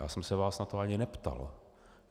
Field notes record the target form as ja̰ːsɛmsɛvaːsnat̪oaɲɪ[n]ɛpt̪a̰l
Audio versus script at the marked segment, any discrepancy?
no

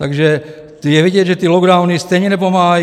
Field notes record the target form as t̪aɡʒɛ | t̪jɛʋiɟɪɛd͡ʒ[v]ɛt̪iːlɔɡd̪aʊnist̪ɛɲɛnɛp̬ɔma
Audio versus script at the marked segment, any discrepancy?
yes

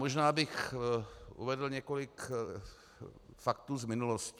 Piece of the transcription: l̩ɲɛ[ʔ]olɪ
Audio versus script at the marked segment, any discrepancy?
yes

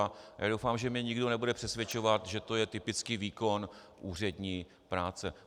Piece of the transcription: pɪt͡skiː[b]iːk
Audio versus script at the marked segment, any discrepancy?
yes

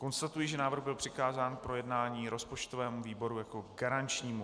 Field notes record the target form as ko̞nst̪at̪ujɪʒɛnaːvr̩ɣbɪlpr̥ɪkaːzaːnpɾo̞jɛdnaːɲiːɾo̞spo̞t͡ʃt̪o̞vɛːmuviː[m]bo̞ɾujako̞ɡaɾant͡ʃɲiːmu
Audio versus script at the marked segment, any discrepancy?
yes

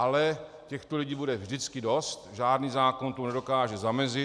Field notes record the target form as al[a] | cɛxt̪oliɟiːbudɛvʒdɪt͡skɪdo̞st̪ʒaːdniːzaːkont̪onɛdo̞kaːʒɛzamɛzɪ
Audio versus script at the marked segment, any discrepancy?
yes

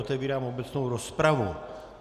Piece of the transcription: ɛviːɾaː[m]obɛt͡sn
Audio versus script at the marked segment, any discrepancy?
no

